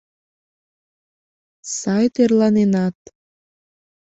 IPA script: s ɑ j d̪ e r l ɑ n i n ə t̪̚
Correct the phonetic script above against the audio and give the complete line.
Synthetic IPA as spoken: s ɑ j t̪ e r l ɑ n e n ɑ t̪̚